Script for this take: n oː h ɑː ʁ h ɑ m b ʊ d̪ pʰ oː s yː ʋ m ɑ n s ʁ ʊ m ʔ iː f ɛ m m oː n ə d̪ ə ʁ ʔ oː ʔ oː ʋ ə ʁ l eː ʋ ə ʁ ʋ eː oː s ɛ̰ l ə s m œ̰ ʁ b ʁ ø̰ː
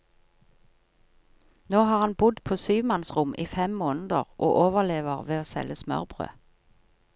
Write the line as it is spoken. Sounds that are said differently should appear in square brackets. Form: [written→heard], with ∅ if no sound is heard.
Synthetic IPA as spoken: n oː h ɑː ʁ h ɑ [m→n] b ʊ d̪ pʰ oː s yː ʋ m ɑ n s ʁ ʊ m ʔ iː f ɛ m m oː n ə d̪ ə ʁ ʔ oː ʔ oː ʋ ə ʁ l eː ʋ ə ʁ ʋ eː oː s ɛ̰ l ə s m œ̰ ʁ b ʁ ø̰ː